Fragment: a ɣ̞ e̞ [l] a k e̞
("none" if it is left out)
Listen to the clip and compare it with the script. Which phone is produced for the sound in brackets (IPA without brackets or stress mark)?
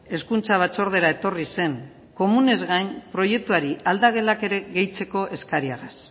l